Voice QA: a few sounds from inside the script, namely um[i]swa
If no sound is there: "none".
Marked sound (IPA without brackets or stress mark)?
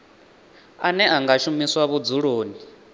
i